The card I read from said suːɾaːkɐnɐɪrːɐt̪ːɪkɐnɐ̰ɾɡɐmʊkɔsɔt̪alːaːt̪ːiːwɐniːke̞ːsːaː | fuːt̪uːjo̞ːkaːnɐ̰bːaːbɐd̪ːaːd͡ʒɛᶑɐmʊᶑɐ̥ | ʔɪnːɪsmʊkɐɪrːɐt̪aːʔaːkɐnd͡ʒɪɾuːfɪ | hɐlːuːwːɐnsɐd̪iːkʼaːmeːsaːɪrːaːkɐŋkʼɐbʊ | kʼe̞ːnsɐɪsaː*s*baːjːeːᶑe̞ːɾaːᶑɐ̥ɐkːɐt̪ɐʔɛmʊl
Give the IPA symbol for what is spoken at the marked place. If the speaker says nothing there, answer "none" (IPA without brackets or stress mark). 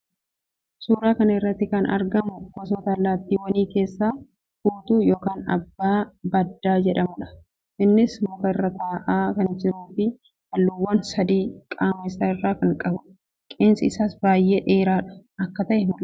s